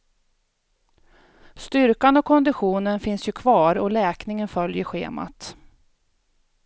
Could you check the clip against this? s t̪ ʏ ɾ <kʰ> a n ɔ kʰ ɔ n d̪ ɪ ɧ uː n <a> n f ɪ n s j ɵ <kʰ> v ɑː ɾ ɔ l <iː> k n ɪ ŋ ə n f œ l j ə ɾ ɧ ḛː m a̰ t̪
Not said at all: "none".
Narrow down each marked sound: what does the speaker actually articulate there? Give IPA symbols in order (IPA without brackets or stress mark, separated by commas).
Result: k, ə, kʰ, ɛː